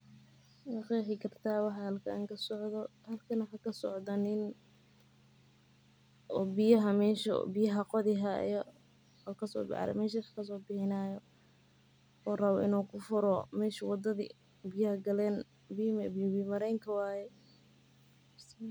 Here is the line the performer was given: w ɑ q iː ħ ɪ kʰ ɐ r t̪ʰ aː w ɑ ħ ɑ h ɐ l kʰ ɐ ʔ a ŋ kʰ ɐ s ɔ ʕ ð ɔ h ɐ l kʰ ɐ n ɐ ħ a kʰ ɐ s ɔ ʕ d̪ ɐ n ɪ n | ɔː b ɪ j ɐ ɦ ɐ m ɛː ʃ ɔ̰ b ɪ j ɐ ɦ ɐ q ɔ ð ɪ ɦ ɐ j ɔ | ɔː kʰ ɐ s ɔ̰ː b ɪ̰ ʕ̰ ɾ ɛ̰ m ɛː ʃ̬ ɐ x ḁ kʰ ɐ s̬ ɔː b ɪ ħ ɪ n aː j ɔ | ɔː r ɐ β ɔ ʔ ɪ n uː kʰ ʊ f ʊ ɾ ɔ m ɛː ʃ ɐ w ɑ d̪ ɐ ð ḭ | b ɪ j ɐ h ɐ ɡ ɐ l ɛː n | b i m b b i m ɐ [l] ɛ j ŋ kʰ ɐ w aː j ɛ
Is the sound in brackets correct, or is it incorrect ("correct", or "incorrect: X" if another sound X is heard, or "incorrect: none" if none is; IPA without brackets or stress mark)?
incorrect: ɾ